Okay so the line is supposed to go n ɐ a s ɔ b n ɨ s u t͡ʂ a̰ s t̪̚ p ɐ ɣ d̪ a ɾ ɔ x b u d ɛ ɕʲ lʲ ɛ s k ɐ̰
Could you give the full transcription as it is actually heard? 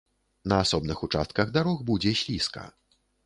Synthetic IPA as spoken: n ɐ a s ɔ b n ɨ x u t͡ʂ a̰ s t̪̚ k ɐ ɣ d̪ a ɾ ɔ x b u d͡zʲ ɛ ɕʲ lʲ i s k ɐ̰